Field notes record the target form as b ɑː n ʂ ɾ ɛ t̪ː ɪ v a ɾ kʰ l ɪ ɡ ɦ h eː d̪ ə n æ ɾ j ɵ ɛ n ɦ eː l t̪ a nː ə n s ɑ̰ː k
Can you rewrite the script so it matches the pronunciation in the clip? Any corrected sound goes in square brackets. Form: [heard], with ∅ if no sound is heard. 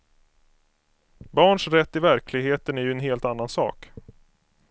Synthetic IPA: b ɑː [ɳ] ʂ ɾ ɛ t̪ː ɪ v [æ] ɾ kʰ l ɪ ɡ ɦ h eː [t̪] ə n æ ɾ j ɵ ɛ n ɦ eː l t̪ a nː [a] n s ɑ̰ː k